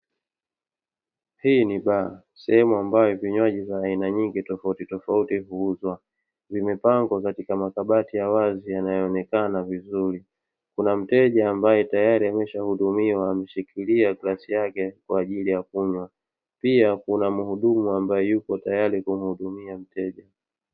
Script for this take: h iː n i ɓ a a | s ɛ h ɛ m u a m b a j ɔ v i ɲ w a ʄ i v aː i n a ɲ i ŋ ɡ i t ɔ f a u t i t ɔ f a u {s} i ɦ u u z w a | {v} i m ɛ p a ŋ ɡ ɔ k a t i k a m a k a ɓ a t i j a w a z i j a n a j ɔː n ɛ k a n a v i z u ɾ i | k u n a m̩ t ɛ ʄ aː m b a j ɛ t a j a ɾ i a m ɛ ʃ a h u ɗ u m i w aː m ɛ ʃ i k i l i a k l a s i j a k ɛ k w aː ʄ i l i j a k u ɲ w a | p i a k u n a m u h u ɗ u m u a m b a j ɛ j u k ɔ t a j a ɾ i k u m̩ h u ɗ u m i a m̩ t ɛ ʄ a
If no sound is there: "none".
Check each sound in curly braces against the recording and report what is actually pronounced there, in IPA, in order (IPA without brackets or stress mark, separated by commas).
t, v